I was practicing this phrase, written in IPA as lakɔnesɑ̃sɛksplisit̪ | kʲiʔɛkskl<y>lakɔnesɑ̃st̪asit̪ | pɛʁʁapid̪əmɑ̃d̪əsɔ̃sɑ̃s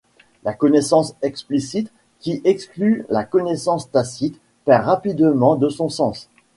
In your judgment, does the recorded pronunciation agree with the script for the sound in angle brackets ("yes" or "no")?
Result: yes